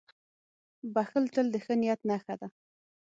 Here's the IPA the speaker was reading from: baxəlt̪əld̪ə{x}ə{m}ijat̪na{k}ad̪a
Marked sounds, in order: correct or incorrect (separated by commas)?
correct, incorrect, incorrect